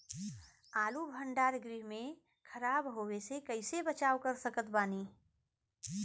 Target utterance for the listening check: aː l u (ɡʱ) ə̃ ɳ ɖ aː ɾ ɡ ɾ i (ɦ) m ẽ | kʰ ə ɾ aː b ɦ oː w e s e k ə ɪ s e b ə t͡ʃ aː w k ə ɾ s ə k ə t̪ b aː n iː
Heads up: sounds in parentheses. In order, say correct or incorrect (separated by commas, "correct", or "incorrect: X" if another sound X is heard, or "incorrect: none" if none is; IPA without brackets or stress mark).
incorrect: bʱ, correct